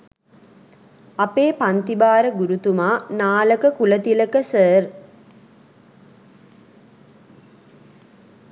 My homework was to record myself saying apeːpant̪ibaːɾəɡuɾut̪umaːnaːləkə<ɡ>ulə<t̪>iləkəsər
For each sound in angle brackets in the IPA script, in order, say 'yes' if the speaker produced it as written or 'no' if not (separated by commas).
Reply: no, yes